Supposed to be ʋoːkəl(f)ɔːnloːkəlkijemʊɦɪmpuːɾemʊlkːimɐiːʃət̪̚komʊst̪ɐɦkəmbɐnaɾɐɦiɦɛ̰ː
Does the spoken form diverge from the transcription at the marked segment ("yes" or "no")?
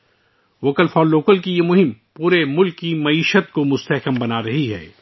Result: no